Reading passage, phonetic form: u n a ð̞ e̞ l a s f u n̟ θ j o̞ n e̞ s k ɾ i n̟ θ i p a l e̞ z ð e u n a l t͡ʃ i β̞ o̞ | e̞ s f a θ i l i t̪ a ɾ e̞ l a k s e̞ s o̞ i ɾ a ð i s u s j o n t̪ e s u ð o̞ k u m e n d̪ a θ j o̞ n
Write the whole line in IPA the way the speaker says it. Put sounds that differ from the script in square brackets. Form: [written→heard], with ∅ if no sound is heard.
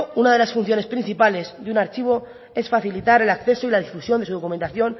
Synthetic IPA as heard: u n a ð̞ e̞ l a s f u n̟ θ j o̞ n e̞ s [k→p] ɾ i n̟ θ i p a l e̞ z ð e u n a [l→ɾ] t͡ʃ i β̞ o̞ | e̞ s f a θ i l i t̪ a ɾ e̞ l a k [s→θ] e̞ s o̞ i [ɾ→l] a ð i [s→f] u s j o n [t̪→d̪] e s u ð o̞ k u m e n [d̪→t̪] a θ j o̞ n